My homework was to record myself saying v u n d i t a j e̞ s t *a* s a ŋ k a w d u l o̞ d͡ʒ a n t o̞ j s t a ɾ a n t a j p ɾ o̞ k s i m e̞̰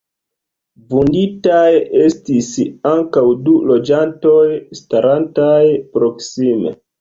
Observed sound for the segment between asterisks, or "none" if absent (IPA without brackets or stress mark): i